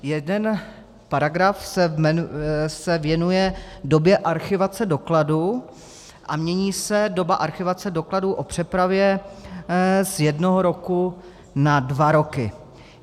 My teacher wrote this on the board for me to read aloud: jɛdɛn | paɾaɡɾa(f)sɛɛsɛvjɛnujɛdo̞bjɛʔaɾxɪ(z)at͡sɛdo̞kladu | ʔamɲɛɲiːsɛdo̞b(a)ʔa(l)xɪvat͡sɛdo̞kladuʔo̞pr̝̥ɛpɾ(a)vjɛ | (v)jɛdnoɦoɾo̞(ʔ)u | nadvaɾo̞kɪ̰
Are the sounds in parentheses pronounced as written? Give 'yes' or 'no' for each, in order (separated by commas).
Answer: yes, no, yes, no, yes, no, no